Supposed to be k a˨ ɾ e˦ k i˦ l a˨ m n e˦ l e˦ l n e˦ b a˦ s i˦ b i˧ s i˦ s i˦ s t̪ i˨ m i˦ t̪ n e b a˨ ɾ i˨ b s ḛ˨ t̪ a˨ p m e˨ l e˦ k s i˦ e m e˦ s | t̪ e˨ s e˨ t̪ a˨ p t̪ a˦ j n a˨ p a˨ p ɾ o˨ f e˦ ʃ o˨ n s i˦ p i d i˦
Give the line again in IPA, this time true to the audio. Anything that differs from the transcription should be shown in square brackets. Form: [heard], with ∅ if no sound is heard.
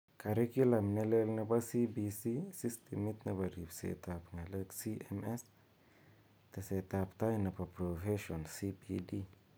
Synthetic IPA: k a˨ ɾ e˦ k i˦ l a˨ m n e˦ l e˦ l n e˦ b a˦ s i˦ b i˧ s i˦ s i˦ s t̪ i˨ m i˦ t̪ n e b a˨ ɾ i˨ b s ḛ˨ t̪ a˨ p [ŋ] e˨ l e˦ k s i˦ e m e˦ s | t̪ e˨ s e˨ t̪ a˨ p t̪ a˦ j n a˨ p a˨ p ɾ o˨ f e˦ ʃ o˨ n s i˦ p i d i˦